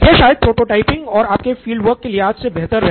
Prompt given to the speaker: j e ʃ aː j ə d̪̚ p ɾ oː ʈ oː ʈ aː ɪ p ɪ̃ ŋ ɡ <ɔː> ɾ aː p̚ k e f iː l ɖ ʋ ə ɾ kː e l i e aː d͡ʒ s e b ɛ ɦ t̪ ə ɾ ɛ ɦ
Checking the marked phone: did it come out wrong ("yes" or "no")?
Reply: no